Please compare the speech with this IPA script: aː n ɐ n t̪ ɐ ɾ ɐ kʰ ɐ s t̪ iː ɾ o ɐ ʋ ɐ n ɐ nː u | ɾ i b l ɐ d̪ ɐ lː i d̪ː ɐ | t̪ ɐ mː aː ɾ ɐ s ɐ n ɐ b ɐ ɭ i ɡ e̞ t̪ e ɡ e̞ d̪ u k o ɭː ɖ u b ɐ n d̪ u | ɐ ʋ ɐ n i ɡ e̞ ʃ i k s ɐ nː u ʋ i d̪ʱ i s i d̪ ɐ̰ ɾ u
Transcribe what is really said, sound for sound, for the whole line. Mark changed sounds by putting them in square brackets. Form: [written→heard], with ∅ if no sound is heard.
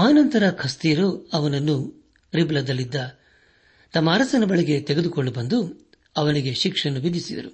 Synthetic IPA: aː n ɐ n t̪ ɐ ɾ ɐ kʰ ɐ s t̪ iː ɾ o ɐ ʋ ɐ n ɐ nː u | ɾ i b l ɐ d̪ ɐ lː i d̪ː ɐ | t̪ ɐ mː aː ɾ ɐ s ɐ n ɐ b ɐ ɭ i ɡ e̞ t̪ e ɡ e̞ d̪ u k o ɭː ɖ u b ɐ n d̪ u | ɐ ʋ ɐ n i ɡ e̞ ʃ i k [s→ʂ] ɐ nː u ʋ i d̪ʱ i s i d̪ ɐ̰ ɾ u